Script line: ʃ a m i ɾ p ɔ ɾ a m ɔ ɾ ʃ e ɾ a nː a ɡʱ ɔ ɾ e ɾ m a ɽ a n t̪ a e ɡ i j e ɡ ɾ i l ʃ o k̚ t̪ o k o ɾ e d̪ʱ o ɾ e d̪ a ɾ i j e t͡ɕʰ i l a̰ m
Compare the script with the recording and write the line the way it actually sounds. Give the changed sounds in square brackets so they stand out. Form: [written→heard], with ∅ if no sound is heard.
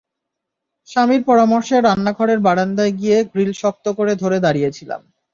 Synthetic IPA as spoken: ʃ a m i ɾ p ɔ ɾ a m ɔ ɾ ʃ e ɾ a nː a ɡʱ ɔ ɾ e ɾ [m→b] a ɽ a n [t̪→d̪] a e ɡ i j e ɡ ɾ i l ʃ [o→ɔ] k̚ t̪ o k o ɾ e d̪ʱ o ɾ e d̪ a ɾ i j e t͡ɕʰ i l a̰ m